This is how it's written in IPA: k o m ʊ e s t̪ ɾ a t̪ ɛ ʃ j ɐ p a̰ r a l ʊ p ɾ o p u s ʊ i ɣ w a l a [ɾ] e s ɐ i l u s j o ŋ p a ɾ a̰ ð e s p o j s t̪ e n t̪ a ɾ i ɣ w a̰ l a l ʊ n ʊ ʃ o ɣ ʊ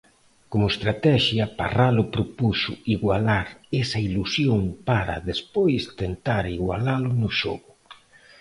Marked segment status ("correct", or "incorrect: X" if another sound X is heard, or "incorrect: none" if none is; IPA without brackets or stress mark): correct